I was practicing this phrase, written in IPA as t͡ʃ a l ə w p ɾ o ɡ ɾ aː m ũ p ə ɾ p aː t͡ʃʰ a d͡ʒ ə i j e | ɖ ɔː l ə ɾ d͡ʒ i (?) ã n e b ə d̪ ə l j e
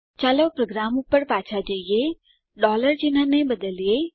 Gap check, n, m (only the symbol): n